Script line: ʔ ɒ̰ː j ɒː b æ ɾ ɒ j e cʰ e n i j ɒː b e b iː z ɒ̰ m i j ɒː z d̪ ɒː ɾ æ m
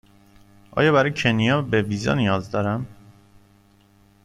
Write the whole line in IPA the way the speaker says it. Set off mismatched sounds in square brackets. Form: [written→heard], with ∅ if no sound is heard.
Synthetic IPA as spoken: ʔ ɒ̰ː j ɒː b æ ɾ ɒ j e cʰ e n i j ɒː b e [b→v] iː z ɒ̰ [m→n] i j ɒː z d̪ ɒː ɾ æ m